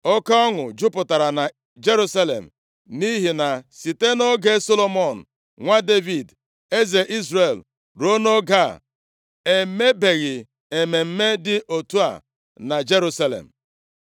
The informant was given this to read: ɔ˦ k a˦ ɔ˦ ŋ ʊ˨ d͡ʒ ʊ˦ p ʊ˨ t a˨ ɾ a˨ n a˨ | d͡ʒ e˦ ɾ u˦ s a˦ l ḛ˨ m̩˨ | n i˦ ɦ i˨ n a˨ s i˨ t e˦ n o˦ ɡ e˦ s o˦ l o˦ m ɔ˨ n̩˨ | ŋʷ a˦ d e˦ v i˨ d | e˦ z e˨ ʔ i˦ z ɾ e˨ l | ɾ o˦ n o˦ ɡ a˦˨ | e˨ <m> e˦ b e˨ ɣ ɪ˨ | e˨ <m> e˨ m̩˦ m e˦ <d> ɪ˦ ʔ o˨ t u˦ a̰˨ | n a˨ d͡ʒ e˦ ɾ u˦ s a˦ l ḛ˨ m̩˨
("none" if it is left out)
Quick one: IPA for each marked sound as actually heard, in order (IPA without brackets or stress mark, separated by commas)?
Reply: m, m, d